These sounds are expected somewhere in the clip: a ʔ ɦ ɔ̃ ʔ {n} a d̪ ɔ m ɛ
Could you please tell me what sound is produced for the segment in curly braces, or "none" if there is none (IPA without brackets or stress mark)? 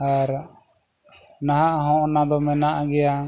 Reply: n